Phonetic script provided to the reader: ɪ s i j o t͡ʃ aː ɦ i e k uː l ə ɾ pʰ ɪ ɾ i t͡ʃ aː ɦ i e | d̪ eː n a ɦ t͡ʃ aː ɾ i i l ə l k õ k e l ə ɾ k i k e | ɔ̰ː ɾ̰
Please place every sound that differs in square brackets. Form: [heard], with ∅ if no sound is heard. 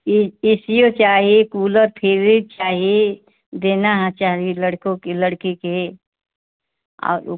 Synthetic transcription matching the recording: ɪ s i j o t͡ʃ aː ɦ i e k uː l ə ɾ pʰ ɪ ɾ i t͡ʃ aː ɦ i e | d̪ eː n a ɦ t͡ʃ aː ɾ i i l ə [ɽ] k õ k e l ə [ɽ] k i k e | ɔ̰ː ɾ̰